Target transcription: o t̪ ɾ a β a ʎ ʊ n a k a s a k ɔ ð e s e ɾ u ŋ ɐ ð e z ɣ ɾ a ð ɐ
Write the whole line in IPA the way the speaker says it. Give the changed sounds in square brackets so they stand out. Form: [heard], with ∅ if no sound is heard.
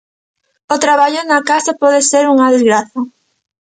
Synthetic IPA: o t̪ ɾ a β a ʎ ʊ n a k a s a [p] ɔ ð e s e ɾ u ŋ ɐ ð e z ɣ ɾ a [θ] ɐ